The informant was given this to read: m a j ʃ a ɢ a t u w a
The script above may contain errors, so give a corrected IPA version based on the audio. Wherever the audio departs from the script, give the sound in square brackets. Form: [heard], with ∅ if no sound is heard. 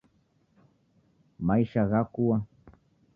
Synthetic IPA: m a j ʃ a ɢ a [k] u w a